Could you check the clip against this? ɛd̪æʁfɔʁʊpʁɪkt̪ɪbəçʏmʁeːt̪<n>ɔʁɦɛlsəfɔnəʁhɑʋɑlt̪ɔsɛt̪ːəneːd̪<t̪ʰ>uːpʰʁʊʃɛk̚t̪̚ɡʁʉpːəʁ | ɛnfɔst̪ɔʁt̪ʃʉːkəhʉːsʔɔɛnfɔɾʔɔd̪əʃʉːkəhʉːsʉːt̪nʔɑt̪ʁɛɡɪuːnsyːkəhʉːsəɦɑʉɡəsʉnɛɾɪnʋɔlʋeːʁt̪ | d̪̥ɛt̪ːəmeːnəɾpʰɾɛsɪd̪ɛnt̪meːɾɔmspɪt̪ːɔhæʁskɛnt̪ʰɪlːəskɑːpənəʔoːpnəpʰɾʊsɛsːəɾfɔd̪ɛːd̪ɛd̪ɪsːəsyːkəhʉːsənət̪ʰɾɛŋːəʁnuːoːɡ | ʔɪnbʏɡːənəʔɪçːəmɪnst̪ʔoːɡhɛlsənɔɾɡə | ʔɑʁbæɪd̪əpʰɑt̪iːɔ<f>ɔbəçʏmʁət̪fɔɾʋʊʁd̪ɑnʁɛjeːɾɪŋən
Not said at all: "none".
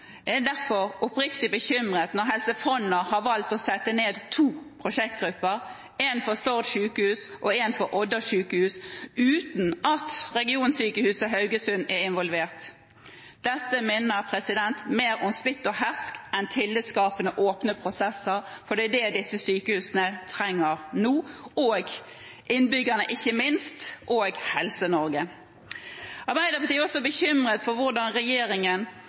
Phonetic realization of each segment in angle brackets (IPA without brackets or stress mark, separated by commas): n, t̪ʰ, s